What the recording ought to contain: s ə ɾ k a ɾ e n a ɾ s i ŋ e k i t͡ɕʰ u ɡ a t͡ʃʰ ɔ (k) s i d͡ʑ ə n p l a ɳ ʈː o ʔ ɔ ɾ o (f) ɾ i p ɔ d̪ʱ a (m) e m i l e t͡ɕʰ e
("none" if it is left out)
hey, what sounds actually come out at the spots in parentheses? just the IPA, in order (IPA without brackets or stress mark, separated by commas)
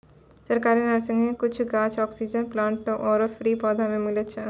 k, f, m